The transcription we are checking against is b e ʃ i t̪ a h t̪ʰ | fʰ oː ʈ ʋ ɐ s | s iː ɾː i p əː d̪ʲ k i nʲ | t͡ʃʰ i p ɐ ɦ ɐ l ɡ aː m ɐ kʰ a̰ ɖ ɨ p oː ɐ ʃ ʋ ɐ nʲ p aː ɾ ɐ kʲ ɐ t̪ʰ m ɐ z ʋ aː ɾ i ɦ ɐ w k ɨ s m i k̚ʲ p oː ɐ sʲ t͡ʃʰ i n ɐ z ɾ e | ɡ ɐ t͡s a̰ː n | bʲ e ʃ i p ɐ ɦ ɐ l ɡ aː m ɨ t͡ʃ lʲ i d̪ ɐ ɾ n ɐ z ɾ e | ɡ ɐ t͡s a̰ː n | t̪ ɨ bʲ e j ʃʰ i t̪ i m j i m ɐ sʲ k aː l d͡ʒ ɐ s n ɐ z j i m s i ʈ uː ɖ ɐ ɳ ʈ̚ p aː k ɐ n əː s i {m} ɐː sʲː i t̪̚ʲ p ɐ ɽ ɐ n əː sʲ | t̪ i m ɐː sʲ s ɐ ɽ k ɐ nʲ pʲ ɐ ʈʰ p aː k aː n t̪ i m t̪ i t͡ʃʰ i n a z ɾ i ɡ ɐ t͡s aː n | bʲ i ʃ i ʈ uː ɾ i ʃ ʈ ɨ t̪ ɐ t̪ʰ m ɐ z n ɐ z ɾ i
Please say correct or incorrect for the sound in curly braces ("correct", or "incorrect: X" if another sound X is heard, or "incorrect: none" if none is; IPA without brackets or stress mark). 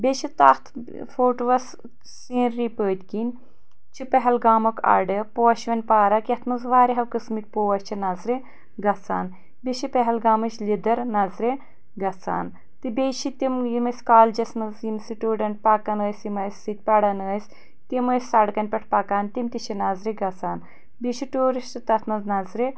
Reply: correct